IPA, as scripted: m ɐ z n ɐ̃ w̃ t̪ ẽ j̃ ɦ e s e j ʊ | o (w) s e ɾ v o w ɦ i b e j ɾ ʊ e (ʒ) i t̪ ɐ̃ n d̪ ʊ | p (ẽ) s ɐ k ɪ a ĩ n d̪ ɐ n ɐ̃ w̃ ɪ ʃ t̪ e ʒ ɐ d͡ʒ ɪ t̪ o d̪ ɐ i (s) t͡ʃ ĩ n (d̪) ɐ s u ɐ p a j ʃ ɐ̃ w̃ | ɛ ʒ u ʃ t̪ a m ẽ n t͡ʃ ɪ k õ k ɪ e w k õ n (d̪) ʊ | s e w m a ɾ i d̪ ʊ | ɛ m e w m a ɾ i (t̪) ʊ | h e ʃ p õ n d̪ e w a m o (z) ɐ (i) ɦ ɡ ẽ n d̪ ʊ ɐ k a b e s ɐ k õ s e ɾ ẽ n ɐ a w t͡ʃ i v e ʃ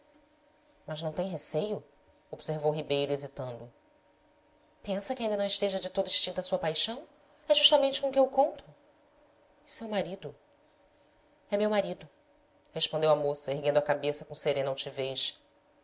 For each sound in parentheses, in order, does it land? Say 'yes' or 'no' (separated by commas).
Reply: no, no, yes, no, no, no, no, no, no